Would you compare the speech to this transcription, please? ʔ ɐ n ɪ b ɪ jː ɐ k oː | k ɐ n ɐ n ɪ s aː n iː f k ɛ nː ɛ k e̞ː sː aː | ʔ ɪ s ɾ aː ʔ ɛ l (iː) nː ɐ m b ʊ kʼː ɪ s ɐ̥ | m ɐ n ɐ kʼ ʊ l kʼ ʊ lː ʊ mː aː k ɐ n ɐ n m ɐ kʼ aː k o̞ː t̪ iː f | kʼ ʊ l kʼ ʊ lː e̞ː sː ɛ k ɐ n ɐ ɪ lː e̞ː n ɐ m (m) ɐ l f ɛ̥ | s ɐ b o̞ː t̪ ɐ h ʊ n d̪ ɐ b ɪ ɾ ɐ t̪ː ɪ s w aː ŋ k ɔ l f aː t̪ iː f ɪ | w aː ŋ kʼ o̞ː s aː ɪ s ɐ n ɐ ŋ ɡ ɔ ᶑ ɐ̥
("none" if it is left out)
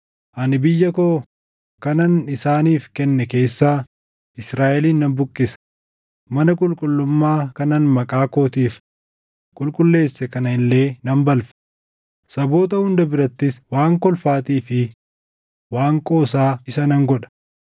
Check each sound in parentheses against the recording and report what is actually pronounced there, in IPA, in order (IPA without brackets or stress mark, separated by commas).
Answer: iː, b